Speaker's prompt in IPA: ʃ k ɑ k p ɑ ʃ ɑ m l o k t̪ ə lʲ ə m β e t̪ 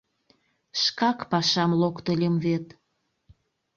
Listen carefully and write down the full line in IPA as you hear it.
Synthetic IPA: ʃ k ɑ k p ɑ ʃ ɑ m l o k t̪ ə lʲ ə m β e t̪

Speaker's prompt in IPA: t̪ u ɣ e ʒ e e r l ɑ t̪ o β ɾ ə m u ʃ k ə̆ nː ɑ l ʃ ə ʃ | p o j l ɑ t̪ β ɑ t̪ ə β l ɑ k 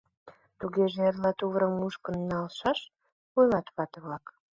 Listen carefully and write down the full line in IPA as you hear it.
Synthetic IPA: t̪ u ɣ e ʒ e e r l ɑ t̪ u β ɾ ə m u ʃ k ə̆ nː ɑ l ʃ ɑ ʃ | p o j l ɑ t̪ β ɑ t̪ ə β l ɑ k

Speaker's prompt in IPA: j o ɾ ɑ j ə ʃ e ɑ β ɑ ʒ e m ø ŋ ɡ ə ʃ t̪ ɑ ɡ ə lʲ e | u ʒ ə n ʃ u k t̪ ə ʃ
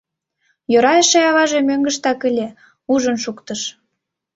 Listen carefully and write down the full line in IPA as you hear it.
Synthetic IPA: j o ɾ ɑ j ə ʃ e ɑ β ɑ ʒ e m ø ŋ ɡ ə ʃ t̪ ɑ k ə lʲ e | u ʒ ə n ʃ u k t̪ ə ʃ

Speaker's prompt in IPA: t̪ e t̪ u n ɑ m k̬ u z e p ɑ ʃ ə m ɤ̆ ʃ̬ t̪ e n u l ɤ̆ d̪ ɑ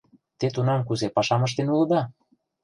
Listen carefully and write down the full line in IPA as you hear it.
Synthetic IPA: t̪ e t̪ u n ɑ m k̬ u z e p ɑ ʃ ɑ m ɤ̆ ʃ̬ t̪ e n u l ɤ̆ d̪ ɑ

